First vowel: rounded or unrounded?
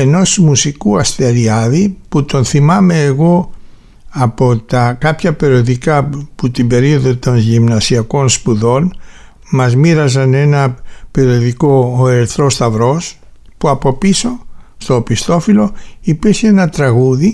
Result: unrounded